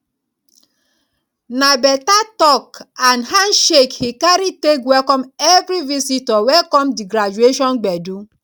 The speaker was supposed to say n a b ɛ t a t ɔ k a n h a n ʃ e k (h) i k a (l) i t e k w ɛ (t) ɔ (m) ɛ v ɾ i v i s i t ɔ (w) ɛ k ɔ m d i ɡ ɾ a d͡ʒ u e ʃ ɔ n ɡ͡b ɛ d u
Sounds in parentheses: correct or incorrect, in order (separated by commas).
correct, incorrect, incorrect, correct, correct